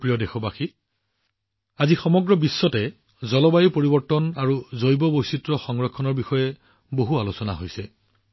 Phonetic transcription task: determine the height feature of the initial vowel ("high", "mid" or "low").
high